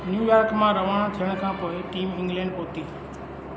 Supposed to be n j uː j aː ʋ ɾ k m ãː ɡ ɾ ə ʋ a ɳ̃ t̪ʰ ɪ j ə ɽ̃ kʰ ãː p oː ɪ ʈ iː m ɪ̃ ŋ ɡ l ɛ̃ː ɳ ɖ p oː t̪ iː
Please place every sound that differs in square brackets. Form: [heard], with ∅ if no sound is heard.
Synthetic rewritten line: n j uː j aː [∅] ɾ k m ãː [∅] ɾ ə ʋ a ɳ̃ t̪ʰ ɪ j ə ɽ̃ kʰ ãː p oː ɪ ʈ iː m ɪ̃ ŋ ɡ l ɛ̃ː ɳ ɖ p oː t̪ iː